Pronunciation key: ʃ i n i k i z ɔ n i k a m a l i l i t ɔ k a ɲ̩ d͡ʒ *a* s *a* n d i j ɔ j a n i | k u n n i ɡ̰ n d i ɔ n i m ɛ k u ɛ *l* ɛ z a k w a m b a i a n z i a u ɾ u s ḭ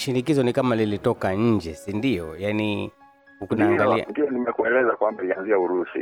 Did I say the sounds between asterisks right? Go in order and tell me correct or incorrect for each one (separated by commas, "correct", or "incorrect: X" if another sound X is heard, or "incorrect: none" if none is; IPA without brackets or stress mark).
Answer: incorrect: ɛ, incorrect: i, correct